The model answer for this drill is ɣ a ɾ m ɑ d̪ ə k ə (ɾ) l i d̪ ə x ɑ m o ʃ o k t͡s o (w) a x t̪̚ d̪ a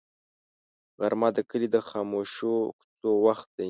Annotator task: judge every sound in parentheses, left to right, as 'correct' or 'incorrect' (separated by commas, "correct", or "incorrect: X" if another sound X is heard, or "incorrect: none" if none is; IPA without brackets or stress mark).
incorrect: none, correct